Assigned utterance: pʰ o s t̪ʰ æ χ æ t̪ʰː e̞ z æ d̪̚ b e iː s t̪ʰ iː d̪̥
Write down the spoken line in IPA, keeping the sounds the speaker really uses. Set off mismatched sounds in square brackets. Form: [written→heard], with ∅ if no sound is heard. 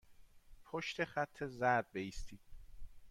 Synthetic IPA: pʰ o [s→ʃ] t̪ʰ [æ→e] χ æ t̪ʰː e̞ z æ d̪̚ b e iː s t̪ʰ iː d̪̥